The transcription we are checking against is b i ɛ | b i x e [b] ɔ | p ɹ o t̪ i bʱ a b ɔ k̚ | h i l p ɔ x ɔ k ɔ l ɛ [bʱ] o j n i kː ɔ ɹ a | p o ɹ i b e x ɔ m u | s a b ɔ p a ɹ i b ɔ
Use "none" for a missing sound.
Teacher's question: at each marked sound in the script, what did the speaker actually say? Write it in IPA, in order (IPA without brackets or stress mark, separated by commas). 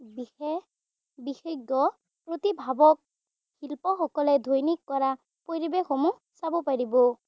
ɡ, dʱ